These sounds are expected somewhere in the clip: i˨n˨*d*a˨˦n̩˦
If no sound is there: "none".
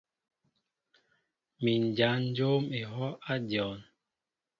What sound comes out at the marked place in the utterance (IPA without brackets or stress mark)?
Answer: d͡ʒ